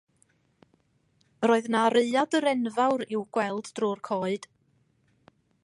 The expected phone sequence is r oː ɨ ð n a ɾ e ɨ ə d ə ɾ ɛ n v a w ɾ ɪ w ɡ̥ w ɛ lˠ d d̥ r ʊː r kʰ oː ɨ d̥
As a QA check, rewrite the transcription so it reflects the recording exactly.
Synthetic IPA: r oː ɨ ð n a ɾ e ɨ a d ə ɾ ɛ n v a w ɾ ɪ w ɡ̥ w ɛ lˠ d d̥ r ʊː r kʰ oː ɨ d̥